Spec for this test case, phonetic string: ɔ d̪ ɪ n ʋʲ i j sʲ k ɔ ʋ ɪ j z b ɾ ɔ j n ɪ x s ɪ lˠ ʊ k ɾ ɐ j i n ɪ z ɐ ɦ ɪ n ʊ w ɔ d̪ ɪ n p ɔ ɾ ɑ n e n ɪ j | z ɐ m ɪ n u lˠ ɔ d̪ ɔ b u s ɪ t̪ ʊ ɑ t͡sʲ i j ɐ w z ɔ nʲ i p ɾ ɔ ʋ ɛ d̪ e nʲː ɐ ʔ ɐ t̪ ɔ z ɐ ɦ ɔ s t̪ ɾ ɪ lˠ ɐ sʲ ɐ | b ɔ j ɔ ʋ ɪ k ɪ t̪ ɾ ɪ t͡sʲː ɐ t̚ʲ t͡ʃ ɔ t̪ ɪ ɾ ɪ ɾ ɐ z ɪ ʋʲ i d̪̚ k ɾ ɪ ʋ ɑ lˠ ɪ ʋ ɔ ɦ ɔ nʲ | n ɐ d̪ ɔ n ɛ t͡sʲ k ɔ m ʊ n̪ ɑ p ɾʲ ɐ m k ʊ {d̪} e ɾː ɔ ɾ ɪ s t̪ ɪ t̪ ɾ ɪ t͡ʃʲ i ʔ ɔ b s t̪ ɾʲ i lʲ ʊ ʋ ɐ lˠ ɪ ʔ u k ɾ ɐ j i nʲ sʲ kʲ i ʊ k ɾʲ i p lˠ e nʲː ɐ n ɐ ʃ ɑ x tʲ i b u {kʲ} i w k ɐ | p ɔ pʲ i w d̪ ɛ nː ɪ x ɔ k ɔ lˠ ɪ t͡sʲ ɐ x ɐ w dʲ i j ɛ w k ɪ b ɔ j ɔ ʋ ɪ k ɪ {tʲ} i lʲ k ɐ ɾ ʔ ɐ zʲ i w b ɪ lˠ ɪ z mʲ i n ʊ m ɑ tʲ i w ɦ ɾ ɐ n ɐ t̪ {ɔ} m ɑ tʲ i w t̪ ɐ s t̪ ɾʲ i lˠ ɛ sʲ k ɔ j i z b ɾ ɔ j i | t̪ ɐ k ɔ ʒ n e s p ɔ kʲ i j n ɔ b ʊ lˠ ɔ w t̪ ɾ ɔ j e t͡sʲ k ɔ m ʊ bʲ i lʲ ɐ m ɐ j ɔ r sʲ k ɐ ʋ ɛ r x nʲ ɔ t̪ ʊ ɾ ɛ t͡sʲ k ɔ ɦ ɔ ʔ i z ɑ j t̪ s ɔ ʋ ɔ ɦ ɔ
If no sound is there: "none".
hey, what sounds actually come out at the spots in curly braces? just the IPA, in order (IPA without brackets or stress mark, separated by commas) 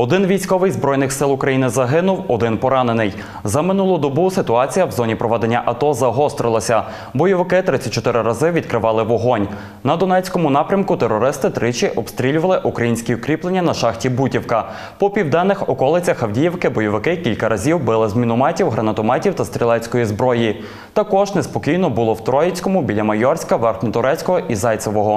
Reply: t̪, tʲ, kʲ, ɔ